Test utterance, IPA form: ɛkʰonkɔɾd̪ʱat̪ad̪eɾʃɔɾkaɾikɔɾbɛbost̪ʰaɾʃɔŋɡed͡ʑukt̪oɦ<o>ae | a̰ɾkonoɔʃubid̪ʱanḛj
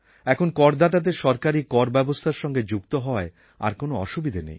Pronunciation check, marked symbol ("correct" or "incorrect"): incorrect